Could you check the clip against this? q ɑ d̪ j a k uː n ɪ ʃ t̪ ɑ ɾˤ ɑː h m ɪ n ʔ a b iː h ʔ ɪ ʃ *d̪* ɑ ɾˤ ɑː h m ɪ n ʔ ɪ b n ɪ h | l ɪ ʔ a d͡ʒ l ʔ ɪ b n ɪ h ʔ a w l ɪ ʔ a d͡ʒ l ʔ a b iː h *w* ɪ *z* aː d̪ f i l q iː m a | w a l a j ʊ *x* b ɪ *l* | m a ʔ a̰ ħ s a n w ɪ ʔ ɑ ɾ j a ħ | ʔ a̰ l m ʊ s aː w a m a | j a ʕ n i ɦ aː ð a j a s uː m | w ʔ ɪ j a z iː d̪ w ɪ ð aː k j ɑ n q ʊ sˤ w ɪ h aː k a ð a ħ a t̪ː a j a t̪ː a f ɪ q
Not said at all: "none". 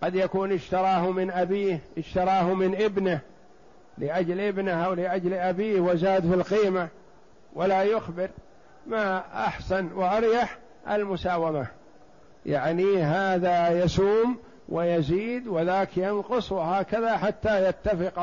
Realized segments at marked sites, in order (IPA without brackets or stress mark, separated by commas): t̪, w, z, x, ɾ